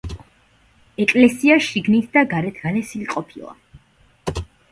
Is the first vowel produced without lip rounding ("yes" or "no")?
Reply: yes